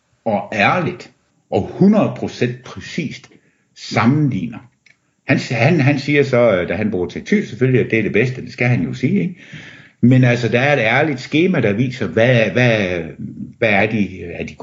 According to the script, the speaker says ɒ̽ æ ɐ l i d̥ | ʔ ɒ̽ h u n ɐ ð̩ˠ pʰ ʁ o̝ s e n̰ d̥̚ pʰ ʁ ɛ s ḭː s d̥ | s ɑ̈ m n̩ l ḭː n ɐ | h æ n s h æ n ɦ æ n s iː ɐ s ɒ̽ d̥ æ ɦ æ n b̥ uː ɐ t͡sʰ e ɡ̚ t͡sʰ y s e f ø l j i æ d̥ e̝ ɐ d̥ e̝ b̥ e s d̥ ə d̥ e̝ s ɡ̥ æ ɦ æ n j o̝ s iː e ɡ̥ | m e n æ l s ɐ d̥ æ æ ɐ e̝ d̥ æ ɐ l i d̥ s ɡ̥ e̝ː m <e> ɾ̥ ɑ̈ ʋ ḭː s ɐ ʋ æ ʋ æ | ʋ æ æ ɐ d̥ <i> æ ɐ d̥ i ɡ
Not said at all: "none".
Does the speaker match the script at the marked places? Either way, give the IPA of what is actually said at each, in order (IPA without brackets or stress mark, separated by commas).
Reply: æ, i